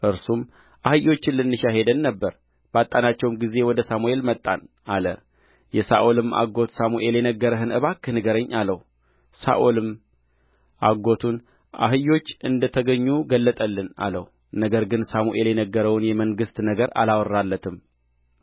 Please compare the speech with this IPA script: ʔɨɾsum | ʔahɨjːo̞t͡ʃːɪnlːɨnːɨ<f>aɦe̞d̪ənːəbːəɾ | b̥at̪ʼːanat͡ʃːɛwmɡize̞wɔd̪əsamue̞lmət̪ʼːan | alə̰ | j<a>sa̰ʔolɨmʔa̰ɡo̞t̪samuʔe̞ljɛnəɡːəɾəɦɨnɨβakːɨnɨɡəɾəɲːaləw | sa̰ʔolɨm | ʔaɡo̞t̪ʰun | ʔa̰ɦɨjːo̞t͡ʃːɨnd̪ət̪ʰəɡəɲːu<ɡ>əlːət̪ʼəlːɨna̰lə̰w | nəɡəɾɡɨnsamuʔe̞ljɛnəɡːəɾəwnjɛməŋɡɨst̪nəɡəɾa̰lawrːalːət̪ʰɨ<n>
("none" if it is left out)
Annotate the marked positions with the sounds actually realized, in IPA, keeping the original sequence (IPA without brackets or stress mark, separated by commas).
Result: ʃ, ɛ, ɡ, m